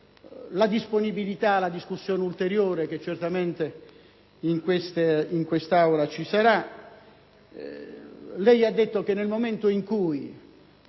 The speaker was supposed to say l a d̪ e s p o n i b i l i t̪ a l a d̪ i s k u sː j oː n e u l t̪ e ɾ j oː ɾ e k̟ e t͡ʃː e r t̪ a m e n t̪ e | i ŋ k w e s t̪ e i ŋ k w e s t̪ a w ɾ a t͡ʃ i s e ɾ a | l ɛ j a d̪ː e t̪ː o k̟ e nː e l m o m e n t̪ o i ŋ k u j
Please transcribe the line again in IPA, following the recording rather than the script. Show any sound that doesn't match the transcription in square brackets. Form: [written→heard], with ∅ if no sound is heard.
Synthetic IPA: l a d̪ [e→i] s p o n i b i l i t̪ a l a d̪ i s k u sː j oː n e u l t̪ e ɾ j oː ɾ e k̟ e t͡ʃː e r t̪ a m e n t̪ e | i ŋ k w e s t̪ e i ŋ k w e s t̪ a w ɾ a t͡ʃ i s [e→a] ɾ a | l ɛ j a d̪ː e t̪ː o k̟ e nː e l m o m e n t̪ o i ŋ k u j